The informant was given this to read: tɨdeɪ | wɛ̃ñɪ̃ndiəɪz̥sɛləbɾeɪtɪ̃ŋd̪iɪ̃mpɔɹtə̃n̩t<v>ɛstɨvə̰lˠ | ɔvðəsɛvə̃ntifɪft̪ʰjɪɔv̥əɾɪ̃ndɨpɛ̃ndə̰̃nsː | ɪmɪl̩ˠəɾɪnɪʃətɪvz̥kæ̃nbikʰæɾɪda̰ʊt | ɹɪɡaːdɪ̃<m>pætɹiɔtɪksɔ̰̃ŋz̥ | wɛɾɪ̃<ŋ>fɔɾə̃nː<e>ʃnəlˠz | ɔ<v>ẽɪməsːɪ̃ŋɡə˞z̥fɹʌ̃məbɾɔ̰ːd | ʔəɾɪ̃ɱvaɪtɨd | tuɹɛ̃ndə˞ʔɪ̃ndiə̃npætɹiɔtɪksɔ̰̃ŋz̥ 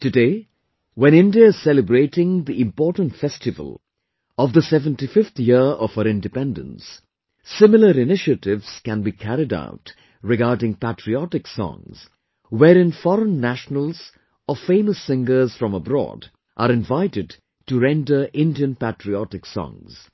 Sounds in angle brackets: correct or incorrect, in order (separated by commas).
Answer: incorrect, incorrect, incorrect, incorrect, incorrect